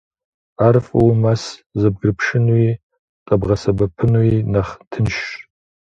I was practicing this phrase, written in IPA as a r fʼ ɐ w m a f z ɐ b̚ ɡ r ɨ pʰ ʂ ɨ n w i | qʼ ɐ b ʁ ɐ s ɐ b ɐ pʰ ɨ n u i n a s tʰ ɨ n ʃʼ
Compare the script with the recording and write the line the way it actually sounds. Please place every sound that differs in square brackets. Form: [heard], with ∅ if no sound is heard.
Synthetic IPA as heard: a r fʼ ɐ w m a [s] z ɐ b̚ ɡ r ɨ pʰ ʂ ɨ n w i | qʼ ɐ b ʁ ɐ s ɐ b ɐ pʰ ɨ n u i n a [χ] tʰ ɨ n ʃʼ